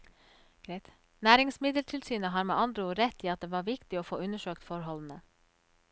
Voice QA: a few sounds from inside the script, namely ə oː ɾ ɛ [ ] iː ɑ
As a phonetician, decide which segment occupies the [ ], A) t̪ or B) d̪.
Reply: A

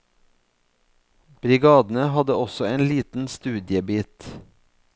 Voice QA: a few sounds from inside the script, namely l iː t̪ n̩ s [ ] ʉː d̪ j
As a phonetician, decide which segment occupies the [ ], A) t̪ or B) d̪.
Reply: A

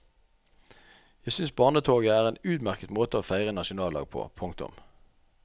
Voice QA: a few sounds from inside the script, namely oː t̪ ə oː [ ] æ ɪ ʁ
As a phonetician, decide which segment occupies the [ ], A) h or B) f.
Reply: B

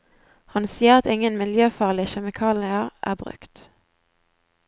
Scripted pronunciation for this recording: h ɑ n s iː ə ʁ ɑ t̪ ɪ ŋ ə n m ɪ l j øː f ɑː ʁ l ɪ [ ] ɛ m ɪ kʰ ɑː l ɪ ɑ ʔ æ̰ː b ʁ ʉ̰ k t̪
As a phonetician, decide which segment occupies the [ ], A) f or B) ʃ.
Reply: B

